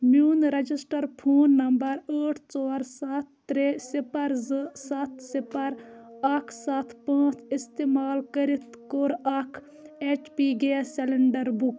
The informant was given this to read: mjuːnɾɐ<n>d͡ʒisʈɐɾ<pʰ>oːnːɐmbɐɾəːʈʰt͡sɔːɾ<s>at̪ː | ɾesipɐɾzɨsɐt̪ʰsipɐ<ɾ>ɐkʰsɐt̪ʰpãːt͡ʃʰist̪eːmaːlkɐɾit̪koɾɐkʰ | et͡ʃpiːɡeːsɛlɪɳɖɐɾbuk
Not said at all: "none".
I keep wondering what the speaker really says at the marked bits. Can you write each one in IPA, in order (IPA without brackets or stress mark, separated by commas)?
none, pʰ, s, ɾ